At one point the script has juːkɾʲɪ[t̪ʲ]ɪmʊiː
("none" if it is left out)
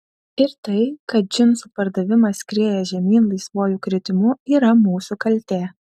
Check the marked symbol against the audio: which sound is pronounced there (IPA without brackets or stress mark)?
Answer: t̪ʲ